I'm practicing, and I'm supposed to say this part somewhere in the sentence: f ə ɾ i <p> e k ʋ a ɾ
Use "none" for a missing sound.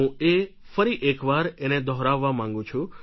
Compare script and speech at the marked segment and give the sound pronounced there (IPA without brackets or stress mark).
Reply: ʔ